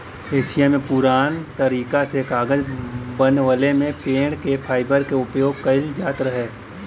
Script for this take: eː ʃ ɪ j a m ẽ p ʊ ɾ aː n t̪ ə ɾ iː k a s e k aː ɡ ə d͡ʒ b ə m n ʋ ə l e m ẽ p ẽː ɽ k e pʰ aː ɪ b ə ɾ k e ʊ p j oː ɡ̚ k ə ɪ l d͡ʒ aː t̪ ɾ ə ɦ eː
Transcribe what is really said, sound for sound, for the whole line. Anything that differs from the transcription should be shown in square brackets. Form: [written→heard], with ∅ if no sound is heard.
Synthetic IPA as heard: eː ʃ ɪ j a m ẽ p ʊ ɾ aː n t̪ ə ɾ iː k a s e k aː ɡ ə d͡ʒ b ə [m→∅] n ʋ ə l e m ẽ p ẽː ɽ k e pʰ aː ɪ b ə ɾ k e ʊ p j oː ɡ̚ k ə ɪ l d͡ʒ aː t̪ ɾ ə ɦ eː